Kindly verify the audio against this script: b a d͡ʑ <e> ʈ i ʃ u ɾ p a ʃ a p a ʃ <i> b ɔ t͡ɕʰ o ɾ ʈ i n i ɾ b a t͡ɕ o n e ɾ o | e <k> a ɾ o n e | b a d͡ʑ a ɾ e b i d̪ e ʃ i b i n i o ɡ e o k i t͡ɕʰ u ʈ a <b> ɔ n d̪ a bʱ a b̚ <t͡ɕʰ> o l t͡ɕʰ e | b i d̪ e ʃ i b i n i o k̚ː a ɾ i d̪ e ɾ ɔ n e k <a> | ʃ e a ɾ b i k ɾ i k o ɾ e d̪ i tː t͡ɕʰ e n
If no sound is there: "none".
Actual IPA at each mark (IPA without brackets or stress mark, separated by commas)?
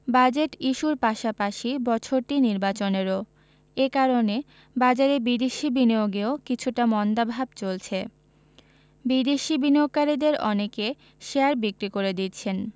e, i, k, m, t͡ɕ, e